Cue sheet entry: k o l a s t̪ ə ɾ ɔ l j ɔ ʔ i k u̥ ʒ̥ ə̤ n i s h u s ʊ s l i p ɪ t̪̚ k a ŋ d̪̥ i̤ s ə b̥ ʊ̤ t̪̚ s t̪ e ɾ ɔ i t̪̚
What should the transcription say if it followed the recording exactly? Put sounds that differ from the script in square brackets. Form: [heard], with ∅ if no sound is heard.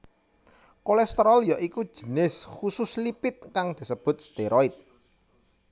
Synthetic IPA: k o l [ɛ] s t̪ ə ɾ ɔ l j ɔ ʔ i k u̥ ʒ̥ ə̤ n [ɪ] s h u s ʊ s l i p ɪ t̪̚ k a ŋ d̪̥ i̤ s ə b̥ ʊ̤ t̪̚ s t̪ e ɾ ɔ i t̪̚